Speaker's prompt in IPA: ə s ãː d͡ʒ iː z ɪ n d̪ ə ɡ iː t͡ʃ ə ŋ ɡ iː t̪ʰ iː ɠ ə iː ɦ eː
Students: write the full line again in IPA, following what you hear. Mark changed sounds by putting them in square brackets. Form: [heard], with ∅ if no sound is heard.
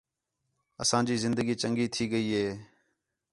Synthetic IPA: ə s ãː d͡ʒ iː z ɪ n d̪ ə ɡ iː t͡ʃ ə ŋ ɡ iː t̪ʰ iː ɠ ə iː ɦ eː